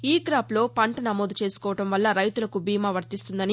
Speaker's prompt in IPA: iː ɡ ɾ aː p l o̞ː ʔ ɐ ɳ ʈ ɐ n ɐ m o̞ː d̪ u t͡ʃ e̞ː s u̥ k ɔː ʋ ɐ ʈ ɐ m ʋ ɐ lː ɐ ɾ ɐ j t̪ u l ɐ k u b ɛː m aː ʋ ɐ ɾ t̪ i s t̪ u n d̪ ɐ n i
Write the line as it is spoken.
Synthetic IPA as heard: iː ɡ ɾ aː p l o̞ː p ɐ ɳ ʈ ɐ n ɐ m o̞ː d̪ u t͡ʃ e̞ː s u̥ k ɔː ʋ ɐ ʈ ɐ m ʋ ɐ lː ɐ ɾ ɐ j t̪ u l ɐ k u b iː m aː ʋ ɐ ɾ t̪ i s t̪ u n d̪ ɐ n i